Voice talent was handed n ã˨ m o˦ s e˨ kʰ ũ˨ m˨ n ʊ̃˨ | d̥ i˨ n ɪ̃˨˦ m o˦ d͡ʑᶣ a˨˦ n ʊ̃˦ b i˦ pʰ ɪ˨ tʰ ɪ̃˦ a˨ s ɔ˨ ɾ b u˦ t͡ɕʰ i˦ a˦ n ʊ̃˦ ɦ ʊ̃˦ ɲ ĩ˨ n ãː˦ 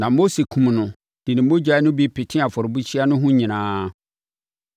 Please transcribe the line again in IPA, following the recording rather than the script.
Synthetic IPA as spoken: n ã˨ m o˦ s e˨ kʰ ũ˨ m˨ n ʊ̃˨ | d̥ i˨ n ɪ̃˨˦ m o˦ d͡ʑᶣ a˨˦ n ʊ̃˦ b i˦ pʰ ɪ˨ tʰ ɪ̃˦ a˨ f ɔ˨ ɾ b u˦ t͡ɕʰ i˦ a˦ n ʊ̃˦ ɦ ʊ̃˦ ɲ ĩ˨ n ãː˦

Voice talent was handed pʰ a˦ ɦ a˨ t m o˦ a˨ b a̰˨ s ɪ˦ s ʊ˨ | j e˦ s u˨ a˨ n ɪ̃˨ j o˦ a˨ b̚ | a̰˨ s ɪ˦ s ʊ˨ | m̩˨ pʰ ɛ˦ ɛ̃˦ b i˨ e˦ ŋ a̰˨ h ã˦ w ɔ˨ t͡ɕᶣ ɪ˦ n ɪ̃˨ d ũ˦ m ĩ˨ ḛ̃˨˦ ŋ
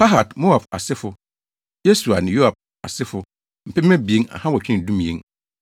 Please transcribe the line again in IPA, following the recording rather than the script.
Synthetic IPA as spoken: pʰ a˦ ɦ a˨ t m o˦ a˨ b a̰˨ s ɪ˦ f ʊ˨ | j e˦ s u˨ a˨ n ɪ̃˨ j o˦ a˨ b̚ | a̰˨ s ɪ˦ f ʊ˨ | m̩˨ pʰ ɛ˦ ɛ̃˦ b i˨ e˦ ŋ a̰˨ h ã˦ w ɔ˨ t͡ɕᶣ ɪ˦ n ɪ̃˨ d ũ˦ m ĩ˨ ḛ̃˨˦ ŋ

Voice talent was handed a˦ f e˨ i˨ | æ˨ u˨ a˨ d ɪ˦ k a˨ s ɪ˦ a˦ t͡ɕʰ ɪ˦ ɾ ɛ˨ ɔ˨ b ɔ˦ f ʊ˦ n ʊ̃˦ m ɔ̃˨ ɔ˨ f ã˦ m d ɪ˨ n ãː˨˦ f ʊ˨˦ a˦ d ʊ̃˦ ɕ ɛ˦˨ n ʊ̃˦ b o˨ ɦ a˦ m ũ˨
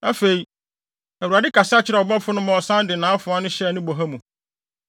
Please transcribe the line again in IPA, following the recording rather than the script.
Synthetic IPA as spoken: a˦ f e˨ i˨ | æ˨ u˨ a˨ d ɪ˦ k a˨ s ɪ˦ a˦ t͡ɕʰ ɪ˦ ɾ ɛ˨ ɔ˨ b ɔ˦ f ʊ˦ n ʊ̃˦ m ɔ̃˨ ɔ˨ s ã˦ n d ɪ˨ n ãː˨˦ f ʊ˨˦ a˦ n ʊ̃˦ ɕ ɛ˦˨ n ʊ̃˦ b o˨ ɦ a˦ m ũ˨

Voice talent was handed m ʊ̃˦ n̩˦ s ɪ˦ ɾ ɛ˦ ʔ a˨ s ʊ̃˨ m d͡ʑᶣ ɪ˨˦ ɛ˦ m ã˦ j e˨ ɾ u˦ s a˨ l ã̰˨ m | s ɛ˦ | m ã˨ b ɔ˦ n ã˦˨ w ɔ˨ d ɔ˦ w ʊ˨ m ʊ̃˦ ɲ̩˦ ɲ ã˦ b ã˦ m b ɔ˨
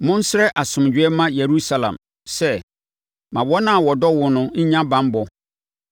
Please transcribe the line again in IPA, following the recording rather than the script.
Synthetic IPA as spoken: m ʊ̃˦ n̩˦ s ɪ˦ ɾ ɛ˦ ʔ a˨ s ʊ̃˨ m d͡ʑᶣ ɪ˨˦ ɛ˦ m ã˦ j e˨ ɾ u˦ s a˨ l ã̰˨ m | s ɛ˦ | m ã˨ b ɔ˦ n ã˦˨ w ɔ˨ d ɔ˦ w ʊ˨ n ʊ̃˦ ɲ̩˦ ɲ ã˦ b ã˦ m b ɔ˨

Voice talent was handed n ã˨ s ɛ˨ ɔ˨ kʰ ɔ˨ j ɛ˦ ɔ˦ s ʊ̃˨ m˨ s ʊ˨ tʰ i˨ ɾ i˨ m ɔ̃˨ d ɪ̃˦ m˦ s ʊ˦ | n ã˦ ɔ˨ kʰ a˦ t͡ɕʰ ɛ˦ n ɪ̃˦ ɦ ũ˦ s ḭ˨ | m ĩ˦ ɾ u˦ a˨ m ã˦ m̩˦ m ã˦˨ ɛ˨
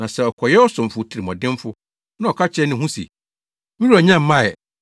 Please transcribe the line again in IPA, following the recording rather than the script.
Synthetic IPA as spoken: n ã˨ s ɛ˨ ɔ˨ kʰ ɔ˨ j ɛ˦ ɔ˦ s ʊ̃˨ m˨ f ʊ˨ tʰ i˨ ɾ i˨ m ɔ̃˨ d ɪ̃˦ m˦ f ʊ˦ | n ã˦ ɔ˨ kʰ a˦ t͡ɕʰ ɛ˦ n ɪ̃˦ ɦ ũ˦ s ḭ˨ | m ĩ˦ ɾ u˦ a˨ ɲ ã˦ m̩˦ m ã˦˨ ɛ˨

